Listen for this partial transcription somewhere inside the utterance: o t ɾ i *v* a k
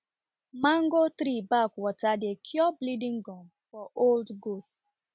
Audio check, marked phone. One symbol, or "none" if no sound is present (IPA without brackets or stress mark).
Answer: b